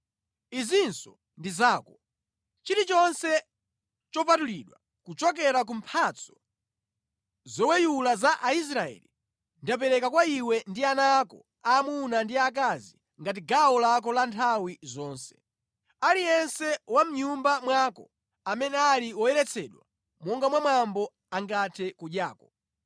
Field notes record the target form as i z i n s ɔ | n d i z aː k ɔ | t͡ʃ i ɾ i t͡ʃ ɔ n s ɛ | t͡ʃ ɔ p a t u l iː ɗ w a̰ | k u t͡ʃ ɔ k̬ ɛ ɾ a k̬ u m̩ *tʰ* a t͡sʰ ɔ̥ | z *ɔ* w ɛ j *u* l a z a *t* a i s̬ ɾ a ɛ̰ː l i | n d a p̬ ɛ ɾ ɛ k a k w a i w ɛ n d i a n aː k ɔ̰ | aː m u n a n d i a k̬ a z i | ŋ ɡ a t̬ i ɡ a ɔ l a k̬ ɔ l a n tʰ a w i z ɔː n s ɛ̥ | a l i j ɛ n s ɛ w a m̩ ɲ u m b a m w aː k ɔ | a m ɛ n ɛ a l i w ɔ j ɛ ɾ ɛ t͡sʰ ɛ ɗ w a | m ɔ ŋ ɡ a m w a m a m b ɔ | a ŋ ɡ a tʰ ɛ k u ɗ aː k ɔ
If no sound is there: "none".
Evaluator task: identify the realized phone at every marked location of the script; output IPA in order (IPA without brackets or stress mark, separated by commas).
pʰ, ɔ, u, ʔ